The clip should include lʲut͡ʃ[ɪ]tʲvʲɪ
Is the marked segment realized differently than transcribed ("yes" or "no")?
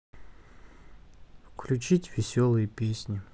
yes